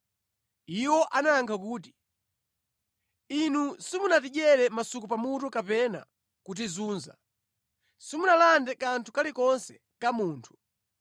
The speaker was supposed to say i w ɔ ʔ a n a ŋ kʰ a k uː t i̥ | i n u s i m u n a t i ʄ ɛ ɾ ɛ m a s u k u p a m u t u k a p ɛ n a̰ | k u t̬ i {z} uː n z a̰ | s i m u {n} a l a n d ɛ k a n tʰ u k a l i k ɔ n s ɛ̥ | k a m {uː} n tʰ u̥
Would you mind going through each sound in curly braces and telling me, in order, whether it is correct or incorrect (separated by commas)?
correct, correct, correct